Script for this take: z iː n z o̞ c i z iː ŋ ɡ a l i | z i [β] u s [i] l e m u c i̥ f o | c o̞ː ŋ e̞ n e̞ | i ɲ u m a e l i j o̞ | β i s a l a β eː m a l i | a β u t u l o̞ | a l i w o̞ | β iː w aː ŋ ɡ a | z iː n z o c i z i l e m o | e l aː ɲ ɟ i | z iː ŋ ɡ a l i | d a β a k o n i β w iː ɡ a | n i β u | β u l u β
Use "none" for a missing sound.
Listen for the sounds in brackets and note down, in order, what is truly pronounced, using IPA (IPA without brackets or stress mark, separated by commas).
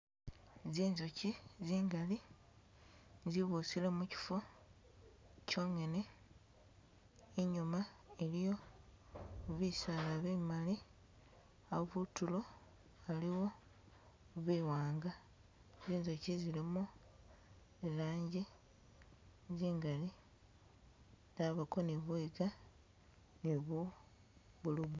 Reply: β, i